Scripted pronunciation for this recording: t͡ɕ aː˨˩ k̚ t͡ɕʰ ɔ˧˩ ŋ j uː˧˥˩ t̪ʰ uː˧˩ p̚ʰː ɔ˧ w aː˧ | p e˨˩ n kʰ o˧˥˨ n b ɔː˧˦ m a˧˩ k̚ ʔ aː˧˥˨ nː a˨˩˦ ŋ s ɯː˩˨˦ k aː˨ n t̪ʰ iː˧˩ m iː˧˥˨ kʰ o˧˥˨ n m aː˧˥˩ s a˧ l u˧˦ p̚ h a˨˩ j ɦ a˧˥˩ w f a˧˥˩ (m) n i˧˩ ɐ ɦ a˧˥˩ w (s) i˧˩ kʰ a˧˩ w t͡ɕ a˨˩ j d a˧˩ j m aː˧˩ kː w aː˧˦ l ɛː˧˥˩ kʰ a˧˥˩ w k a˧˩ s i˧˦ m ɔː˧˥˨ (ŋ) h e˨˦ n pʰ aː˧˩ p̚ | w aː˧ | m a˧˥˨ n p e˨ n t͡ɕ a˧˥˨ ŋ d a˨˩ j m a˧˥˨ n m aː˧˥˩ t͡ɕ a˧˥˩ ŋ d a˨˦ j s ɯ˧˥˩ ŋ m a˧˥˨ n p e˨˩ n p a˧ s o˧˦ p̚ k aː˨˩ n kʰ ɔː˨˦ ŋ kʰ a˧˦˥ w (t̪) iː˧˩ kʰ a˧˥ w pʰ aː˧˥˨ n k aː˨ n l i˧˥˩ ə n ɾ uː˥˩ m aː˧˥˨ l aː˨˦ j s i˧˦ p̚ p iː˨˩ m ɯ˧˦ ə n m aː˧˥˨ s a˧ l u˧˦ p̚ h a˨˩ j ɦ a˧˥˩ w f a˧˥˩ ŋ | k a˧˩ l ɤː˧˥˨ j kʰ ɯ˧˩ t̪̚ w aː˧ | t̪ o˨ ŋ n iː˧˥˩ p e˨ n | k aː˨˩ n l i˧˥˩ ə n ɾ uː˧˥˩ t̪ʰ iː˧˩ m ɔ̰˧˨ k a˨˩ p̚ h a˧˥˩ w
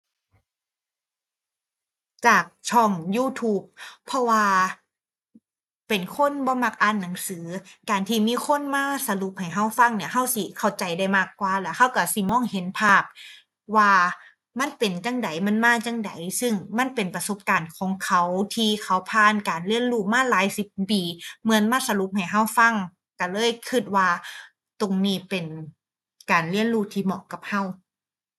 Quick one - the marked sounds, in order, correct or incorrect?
incorrect, correct, correct, incorrect

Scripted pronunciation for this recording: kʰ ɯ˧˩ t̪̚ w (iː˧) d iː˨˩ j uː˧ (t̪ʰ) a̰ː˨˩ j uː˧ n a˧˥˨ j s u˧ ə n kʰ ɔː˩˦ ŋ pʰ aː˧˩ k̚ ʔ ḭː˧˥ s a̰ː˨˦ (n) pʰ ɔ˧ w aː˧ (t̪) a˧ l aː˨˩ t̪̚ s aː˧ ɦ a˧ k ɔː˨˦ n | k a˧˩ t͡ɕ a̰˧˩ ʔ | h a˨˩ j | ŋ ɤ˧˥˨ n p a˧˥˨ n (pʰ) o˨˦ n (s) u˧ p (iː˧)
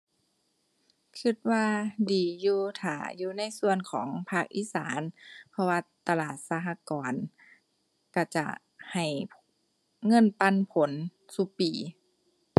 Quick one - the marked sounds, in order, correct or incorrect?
incorrect, correct, correct, correct, correct, correct, incorrect

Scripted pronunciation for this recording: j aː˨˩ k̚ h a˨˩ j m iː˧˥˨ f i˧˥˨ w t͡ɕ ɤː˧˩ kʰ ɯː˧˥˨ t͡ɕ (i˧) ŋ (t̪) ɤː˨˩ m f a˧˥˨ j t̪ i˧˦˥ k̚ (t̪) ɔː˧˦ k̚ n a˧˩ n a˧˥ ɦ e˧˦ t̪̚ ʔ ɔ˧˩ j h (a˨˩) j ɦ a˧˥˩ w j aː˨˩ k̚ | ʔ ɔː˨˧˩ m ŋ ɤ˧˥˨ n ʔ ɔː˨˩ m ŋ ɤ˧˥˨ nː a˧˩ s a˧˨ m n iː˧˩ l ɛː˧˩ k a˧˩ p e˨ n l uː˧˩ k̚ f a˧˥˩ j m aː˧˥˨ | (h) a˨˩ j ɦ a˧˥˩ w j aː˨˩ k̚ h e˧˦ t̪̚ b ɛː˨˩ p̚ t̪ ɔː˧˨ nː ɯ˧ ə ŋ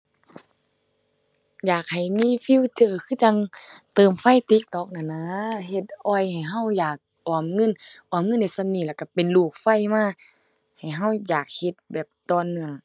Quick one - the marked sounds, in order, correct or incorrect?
incorrect, correct, correct, correct, correct

